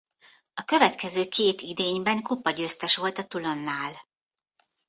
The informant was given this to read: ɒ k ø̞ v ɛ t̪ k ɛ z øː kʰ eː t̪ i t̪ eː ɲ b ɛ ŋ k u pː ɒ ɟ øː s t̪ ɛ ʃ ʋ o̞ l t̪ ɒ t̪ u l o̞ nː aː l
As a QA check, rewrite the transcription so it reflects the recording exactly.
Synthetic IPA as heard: ɒ k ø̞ v ɛ t̪ k ɛ z øː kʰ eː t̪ i d̪ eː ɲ b ɛ ŋ k u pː ɒ ɟ øː s t̪ ɛ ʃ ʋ o̞ l t̪ ɒ t̪ u l o̞ nː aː l